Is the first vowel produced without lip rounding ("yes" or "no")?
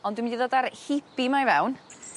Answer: no